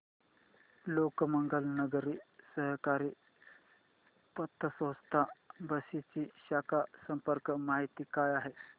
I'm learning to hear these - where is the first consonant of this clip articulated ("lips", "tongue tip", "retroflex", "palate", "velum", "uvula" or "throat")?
tongue tip